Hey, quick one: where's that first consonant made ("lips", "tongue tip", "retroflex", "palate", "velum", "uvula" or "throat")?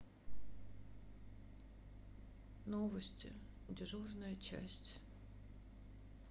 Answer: tongue tip